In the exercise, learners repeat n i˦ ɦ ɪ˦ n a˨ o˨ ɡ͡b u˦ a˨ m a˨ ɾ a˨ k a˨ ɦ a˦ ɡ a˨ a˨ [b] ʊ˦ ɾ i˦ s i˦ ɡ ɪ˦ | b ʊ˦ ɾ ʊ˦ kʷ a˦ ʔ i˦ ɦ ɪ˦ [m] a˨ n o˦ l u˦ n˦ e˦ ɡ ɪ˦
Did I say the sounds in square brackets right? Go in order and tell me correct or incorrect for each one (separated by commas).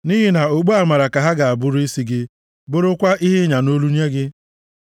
correct, incorrect